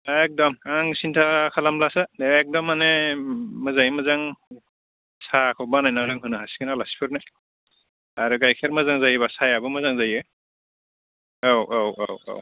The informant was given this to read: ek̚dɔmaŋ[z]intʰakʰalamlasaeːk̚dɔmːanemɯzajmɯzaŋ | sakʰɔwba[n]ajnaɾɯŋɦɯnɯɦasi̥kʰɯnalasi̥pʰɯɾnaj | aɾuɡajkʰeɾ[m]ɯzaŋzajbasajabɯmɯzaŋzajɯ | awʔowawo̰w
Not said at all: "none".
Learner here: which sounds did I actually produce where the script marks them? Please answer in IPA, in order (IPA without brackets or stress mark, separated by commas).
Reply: s, n, m